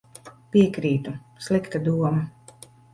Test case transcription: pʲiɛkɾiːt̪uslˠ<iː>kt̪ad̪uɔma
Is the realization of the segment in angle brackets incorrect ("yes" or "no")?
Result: yes